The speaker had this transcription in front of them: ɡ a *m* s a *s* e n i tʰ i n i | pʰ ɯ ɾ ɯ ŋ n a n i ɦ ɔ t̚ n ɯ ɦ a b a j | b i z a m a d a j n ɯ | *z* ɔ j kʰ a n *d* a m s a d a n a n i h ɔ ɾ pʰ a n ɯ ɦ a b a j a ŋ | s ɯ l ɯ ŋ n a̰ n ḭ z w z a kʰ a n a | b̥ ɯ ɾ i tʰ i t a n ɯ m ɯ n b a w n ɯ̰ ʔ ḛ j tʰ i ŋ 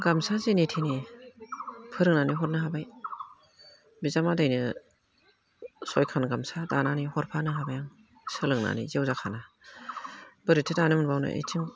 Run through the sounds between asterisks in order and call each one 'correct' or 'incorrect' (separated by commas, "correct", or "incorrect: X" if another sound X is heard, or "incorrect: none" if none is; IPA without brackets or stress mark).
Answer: correct, incorrect: z, incorrect: s, incorrect: ɡ